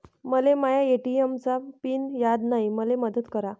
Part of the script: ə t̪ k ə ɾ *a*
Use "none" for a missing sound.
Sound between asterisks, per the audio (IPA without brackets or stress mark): a